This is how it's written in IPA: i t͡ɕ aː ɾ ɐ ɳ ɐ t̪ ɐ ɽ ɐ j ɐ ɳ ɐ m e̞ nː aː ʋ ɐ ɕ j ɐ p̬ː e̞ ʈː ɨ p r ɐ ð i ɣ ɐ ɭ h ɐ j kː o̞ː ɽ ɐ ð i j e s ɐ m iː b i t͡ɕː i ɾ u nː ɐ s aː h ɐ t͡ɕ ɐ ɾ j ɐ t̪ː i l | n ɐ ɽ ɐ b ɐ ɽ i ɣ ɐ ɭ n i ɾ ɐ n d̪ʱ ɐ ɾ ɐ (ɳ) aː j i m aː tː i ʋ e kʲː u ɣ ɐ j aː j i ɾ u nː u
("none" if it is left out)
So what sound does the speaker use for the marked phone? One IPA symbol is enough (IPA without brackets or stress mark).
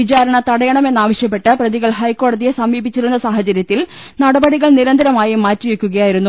m